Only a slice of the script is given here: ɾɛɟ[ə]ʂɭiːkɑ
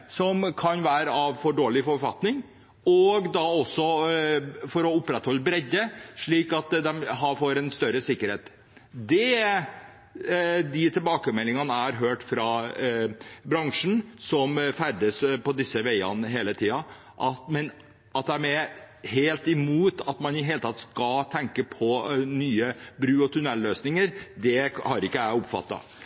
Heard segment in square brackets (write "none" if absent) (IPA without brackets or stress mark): ə